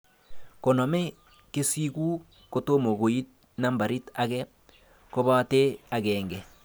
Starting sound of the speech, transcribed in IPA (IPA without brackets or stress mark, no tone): k